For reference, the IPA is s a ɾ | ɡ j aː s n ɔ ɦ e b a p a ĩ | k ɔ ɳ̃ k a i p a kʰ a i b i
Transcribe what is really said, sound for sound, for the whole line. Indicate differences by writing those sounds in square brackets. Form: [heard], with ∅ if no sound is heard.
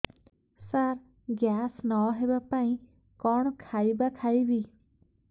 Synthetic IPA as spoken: s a ɾ | ɡ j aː s n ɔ ɦ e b a p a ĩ | k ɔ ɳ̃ [kʰ] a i [b] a kʰ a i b i

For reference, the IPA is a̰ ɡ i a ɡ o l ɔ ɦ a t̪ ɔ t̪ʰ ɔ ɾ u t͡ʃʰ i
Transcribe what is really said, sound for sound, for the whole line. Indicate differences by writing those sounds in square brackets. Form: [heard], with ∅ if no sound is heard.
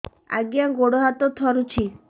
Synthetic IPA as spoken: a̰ ɡ [j] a ɡ o [ɽ] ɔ ɦ a t̪ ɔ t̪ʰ ɔ ɾ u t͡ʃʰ i

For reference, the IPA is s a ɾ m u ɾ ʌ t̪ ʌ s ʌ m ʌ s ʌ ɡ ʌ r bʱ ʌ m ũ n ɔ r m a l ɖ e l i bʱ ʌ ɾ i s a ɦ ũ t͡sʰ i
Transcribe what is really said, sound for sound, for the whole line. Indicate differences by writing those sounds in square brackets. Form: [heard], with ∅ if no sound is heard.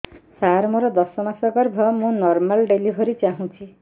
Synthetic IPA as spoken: s a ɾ m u ɾ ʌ [d̪] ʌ s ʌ m [a] s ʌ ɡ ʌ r bʱ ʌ m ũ n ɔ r m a l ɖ e l i bʱ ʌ ɾ i [t͡s] a ɦ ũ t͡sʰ i

